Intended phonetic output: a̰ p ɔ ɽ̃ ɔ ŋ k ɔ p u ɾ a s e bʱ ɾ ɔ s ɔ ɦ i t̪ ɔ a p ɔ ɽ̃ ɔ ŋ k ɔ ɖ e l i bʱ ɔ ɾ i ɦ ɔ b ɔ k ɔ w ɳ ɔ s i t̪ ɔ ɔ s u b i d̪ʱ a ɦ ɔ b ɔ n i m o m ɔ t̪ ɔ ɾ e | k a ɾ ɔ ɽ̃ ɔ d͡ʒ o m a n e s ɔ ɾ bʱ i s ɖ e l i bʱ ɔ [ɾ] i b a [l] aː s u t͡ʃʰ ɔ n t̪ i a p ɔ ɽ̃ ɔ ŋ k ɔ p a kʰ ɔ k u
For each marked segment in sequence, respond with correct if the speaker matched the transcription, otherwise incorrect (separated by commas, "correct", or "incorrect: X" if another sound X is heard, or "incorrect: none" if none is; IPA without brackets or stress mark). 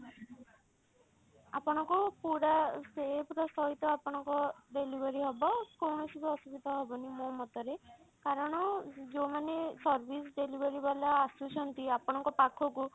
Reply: correct, correct